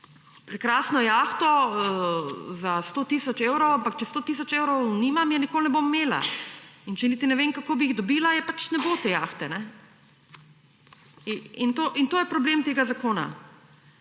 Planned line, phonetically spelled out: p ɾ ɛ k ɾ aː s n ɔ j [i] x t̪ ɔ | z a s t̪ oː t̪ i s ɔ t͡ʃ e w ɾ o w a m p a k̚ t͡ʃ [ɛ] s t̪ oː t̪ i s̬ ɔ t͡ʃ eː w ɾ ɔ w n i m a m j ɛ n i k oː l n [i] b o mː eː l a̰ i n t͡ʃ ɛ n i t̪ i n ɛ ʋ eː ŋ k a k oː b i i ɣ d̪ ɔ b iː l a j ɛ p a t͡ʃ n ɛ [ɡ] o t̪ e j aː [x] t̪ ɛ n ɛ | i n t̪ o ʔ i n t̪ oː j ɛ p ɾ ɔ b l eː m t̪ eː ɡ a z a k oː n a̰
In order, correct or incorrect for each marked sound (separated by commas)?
incorrect, correct, incorrect, incorrect, correct